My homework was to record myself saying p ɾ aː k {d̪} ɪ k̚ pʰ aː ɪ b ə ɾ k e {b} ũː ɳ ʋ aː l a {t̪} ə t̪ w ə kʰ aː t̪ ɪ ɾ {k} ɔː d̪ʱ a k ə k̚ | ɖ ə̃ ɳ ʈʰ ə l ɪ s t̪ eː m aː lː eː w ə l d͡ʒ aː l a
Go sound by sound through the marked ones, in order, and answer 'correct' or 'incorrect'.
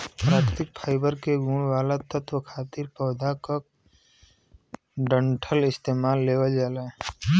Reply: incorrect: t̪, incorrect: ɡ, correct, incorrect: p

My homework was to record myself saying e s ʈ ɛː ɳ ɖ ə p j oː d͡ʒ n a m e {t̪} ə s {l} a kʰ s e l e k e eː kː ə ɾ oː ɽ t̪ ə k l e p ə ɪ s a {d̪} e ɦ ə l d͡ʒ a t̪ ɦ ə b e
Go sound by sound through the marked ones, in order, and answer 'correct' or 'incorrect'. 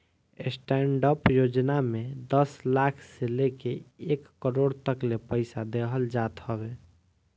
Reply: incorrect: d̪, correct, correct

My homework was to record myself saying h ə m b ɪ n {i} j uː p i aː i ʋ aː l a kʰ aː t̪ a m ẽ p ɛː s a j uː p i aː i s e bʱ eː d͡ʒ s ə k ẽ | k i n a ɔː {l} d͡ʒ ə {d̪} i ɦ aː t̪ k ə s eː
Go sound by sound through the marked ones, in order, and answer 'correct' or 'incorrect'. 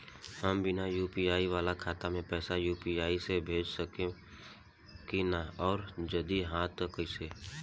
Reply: incorrect: a, incorrect: ɾ, correct

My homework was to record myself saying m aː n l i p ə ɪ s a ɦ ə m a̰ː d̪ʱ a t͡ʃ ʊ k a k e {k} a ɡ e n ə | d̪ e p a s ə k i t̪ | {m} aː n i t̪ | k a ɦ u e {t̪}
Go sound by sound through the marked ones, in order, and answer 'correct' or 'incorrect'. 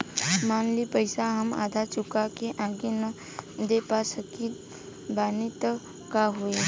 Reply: incorrect: ʔ, incorrect: b, incorrect: none

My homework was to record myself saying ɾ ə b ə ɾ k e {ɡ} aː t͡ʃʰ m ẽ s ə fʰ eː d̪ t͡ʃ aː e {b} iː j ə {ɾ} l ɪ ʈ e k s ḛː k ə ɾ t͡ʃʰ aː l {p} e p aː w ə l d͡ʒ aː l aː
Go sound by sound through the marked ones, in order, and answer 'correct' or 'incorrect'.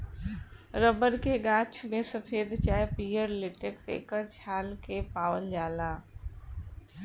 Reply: correct, incorrect: p, correct, incorrect: k

